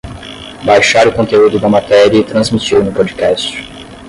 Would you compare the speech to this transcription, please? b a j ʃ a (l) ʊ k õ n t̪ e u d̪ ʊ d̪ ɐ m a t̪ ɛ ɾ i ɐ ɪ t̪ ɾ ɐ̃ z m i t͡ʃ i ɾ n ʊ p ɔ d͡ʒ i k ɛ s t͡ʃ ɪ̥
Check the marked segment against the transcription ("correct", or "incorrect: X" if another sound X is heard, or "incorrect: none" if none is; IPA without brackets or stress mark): incorrect: ɾ